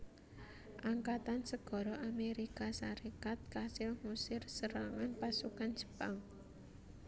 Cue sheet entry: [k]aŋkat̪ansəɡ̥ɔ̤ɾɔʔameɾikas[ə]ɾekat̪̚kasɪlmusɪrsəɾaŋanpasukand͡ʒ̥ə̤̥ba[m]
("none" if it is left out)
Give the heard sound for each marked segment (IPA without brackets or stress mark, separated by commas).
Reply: ʔ, a, ŋ